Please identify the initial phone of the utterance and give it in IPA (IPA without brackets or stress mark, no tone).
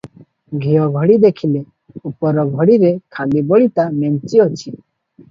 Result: ɡʱ